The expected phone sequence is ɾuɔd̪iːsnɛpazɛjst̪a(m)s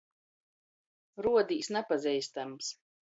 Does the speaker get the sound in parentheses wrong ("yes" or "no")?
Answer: no